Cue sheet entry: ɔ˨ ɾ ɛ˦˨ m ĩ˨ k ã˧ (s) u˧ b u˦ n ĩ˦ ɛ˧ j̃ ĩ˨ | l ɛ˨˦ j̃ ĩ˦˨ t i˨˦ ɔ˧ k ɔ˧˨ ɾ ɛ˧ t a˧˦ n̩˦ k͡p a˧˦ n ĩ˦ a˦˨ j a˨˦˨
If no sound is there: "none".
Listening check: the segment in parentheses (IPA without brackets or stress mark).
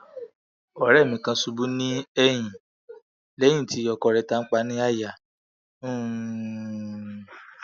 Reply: s